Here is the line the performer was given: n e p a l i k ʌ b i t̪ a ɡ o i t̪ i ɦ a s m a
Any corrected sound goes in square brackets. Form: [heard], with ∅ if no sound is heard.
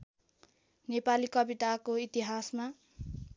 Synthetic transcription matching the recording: n e p a l i k ʌ b i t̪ a [k] o i t̪ i ɦ a s m a